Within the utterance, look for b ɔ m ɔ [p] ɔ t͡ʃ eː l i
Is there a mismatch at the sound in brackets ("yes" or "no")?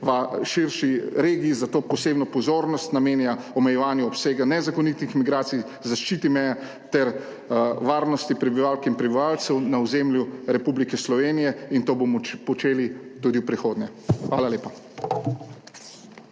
no